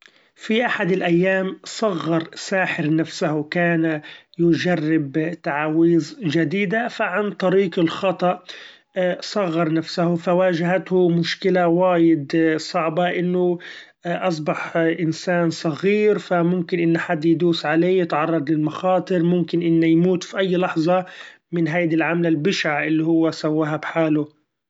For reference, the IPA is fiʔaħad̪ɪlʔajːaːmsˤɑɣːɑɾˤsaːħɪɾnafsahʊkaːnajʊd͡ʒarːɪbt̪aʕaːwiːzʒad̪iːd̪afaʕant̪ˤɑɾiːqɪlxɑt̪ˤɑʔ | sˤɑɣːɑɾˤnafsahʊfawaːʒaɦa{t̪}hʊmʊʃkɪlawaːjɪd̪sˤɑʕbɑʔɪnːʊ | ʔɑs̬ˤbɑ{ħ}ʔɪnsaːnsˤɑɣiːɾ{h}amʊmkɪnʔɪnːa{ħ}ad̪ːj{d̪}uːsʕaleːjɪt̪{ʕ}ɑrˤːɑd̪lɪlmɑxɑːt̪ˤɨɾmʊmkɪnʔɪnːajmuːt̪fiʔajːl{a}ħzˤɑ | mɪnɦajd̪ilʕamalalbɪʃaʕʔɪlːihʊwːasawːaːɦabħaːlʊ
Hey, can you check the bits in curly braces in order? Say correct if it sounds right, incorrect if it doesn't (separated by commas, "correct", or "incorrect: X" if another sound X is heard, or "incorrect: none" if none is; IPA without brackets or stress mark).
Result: correct, correct, incorrect: f, correct, correct, correct, incorrect: ɑ